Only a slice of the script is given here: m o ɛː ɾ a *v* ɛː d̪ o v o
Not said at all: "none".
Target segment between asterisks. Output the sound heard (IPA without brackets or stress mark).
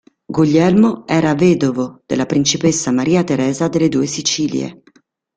v